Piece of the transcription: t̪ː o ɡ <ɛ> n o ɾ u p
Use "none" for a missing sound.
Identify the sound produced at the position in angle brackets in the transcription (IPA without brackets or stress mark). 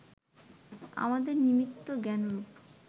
ɛ